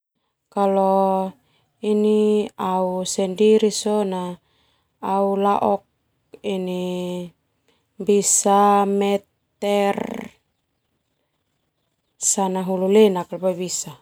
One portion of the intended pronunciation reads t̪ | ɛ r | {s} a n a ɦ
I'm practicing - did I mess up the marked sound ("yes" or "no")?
no